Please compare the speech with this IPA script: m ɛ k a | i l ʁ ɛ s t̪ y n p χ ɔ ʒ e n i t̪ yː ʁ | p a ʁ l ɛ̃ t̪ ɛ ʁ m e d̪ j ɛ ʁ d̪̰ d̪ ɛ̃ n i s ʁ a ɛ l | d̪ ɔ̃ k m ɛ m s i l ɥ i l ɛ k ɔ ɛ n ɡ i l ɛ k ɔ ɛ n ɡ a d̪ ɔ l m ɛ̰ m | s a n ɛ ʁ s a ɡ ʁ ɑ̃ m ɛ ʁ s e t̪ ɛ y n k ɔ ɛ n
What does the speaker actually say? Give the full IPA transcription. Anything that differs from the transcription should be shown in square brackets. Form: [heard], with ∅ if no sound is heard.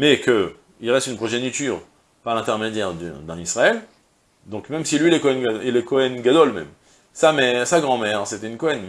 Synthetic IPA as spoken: m ɛ k [ə] | i l ʁ ɛ s t̪ y n p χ ɔ ʒ e n i t̪ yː ʁ | p a ʁ l ɛ̃ t̪ ɛ ʁ m e d̪ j ɛ ʁ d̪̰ d̪ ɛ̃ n i s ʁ a ɛ l | d̪ ɔ̃ k m ɛ m s i l ɥ i l ɛ k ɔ ɛ n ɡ i l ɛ k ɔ ɛ n ɡ a d̪ ɔ l m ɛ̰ m | s a [m] ɛ ʁ s a ɡ ʁ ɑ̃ m ɛ ʁ s e t̪ ɛ y n k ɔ ɛ n

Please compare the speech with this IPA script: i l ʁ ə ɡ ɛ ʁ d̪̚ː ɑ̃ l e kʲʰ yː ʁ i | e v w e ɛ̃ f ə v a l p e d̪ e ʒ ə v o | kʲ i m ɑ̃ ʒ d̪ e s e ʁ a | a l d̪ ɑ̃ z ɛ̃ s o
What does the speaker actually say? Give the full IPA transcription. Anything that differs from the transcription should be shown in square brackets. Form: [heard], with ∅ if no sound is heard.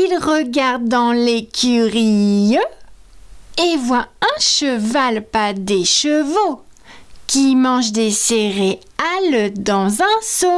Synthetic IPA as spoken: i l ʁ ə ɡ [a] ʁ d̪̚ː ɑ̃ l e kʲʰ [y] ʁ i | e v w [a] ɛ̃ [ʃ] ə v a l p [a] d̪ e [ʃ] ə v o | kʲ i m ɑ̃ ʒ d̪ e s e ʁ [e] | a l d̪ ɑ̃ z ɛ̃ s o

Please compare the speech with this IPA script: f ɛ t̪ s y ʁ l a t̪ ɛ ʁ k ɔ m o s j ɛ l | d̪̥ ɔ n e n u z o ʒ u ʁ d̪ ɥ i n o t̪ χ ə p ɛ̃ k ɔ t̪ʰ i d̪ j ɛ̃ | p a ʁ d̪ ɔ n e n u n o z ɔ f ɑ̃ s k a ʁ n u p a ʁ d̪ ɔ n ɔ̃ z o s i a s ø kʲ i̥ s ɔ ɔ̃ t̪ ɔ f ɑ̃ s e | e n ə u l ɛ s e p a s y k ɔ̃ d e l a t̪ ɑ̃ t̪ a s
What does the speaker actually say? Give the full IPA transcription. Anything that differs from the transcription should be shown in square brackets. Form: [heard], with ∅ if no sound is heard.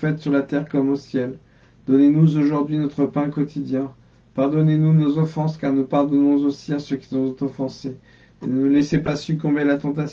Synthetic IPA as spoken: f ɛ t̪ s y ʁ l a t̪ ɛ ʁ k ɔ m o s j ɛ l | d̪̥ ɔ n e n u z o ʒ u ʁ d̪ ɥ i n [ɔ] t̪ χ ə p ɛ̃ k ɔ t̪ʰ i d̪ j ɛ̃ | p a ʁ d̪ ɔ n e n u n o z ɔ f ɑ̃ s k a ʁ n u p a ʁ d̪ ɔ n ɔ̃ z o s i a s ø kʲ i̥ s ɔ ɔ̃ t̪ ɔ f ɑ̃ s e | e n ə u l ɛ s e p a s y k ɔ̃ [b] e l a t̪ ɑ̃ t̪ a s

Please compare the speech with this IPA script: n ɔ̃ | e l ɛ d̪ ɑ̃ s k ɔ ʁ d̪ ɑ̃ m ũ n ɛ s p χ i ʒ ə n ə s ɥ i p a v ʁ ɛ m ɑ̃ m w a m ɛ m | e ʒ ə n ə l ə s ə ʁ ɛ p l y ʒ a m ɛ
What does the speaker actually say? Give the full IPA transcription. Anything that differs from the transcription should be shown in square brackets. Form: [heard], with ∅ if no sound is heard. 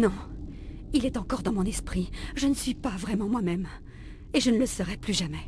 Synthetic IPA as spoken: n ɔ̃ | [i] l ɛ [t̪] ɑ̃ [∅] k ɔ ʁ d̪ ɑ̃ m [ɔ̃] n ɛ s p χ i ʒ ə n ə s ɥ i p a v ʁ ɛ m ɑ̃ m w a m ɛ m | e ʒ ə n ə l ə s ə ʁ ɛ p l y ʒ a m ɛ

